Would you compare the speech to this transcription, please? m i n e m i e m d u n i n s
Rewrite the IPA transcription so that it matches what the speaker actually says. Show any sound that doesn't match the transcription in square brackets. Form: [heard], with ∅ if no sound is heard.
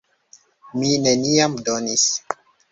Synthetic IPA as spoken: m i n e [n] i [a] m d [o] n i [∅] s